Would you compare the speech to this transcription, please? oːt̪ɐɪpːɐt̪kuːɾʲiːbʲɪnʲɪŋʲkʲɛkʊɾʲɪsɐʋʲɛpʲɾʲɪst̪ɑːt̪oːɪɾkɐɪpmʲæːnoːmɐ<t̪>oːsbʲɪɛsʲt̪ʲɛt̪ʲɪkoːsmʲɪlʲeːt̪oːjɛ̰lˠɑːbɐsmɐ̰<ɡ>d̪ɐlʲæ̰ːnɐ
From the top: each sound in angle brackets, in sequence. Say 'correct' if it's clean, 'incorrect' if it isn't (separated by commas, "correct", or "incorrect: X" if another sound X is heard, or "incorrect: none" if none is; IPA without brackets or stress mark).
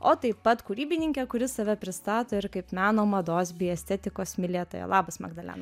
incorrect: d̪, correct